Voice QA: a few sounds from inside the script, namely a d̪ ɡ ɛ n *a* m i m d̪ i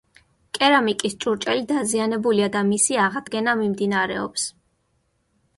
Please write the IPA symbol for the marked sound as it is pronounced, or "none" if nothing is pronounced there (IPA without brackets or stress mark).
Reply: a